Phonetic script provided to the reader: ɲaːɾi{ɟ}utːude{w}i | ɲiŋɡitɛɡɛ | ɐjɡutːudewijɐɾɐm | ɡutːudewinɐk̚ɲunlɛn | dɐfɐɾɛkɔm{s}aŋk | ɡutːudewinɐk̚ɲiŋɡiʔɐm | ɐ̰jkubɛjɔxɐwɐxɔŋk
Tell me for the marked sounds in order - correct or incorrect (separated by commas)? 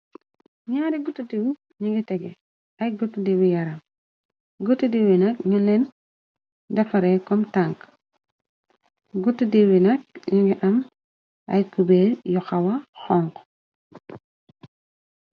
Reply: incorrect, correct, incorrect